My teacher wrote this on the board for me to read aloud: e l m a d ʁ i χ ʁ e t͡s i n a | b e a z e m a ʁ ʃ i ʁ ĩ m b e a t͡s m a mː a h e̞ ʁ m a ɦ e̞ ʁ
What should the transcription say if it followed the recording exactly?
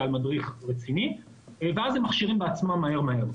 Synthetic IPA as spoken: a l m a d ʁ i χ ʁ e t͡s i n i | v e a z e m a χ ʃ i ʁ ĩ m b e a t͡s m a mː a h e̞ ʁ m a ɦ e̞ ʁ